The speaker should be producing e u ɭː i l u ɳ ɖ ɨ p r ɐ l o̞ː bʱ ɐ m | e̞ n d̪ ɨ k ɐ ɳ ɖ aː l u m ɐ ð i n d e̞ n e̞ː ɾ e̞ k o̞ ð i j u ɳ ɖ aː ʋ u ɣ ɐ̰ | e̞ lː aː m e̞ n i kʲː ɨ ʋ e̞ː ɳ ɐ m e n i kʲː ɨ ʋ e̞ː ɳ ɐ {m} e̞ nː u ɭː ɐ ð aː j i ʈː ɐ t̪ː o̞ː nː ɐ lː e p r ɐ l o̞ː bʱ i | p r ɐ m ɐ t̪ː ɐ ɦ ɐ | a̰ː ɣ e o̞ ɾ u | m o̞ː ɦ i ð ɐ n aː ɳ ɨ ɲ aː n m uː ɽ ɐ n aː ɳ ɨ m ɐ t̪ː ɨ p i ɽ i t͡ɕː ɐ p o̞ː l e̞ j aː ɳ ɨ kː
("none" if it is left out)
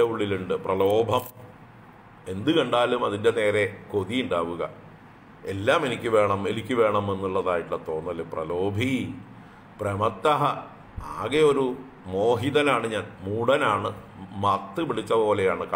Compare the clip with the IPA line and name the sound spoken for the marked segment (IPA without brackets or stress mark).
m